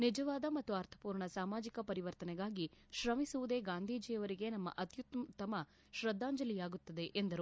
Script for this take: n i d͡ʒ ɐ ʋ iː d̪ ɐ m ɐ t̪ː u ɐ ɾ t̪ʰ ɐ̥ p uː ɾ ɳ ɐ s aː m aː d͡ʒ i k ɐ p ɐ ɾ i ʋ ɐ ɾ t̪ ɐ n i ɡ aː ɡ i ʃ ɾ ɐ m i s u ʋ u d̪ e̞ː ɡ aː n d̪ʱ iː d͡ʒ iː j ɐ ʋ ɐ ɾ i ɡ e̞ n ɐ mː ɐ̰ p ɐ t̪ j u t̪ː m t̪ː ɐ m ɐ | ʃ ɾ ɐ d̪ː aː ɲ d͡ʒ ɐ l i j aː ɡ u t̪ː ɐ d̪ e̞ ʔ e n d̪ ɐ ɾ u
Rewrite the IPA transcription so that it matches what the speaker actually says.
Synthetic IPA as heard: n i d͡ʒ ɐ ʋ aː d̪ ɐ m ɐ t̪ː u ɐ ɾ t̪ʰ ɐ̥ p uː ɾ ɳ ɐ s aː m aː d͡ʒ i k ɐ p ɐ ɾ i ʋ ɐ ɾ t̪ ɐ n ɛ ɡ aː ɡ i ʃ ɾ ɐ m i s u ʋ u d̪ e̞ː ɡ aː n d̪ʱ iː d͡ʒ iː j ɐ ʋ ɐ ɾ i ɡ e̞ n ɐ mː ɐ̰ ʔ ɐ t̪ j u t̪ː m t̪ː ɐ m ɐ | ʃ ɾ ɐ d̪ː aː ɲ d͡ʒ ɐ l i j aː ɡ u t̪ː ɐ d̪ e̞ ʔ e n d̪ ɐ ɾ u